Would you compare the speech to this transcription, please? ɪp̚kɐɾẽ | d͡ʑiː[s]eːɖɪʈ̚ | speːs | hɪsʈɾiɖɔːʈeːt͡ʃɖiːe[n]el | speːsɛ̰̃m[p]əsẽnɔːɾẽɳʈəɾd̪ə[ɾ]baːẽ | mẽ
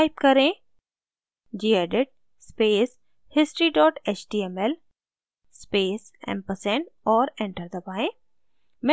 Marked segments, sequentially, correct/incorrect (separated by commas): incorrect, incorrect, correct, incorrect